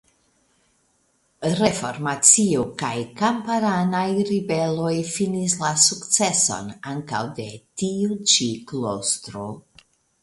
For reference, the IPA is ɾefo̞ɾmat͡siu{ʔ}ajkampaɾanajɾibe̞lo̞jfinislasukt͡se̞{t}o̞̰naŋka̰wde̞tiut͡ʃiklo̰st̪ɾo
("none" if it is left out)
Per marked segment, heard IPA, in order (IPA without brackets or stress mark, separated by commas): k, s